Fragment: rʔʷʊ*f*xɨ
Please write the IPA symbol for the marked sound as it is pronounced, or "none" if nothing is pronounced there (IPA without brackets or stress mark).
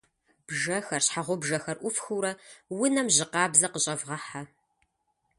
f